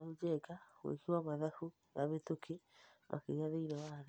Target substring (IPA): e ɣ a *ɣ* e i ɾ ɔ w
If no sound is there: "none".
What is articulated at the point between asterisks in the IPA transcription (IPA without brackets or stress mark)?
ð